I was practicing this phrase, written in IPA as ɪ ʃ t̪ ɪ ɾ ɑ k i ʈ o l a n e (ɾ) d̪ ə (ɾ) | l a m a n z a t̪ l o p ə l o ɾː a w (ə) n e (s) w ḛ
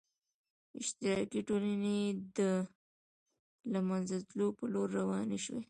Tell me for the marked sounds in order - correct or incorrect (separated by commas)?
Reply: incorrect, incorrect, incorrect, incorrect